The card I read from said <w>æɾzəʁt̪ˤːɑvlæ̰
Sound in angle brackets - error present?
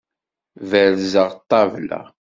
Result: yes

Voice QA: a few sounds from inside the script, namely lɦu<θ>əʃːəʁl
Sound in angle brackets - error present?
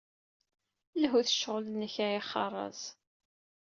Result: no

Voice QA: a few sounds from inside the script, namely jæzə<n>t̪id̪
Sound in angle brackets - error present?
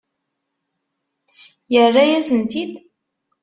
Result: no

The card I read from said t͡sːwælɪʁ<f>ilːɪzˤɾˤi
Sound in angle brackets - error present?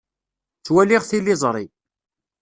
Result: yes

